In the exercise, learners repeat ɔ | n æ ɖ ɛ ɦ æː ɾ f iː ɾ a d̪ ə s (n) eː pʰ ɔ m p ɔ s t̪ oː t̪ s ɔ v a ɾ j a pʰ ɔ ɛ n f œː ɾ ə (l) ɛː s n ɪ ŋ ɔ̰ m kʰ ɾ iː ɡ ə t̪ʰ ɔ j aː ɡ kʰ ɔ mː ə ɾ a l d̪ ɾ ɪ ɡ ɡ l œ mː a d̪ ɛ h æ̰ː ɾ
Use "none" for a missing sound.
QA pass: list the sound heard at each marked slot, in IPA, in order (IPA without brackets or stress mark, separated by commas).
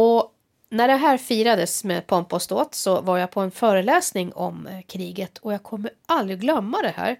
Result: m, l